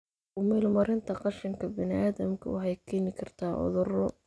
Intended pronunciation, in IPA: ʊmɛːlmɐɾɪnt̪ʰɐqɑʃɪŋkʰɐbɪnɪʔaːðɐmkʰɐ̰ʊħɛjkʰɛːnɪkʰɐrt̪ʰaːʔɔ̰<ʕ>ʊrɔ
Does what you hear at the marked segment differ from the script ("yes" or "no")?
yes